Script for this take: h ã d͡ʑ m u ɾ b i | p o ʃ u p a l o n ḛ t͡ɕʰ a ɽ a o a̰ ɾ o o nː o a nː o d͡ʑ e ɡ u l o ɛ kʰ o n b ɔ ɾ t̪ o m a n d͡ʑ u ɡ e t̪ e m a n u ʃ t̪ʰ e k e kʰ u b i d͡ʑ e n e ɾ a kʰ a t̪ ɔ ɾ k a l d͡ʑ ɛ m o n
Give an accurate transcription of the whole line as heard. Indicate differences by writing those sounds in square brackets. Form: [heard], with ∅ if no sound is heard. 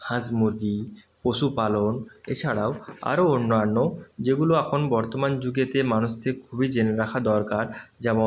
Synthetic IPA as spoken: h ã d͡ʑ m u ɾ [ɡ] i | p o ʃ u p a l o n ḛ t͡ɕʰ a ɽ a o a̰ ɾ o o nː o a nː o d͡ʑ e ɡ u l o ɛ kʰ o n b ɔ ɾ t̪ o m a n d͡ʑ u ɡ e t̪ e m a n u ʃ t̪ʰ e k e kʰ u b i d͡ʑ e n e ɾ a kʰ a [d̪] ɔ ɾ k a [ɾ] d͡ʑ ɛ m o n